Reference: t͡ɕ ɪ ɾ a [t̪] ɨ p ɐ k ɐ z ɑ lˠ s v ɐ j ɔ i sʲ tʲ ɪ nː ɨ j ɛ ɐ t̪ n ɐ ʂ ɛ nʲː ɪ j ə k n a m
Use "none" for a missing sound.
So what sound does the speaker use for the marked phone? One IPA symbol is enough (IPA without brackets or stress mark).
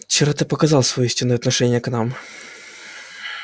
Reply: t̪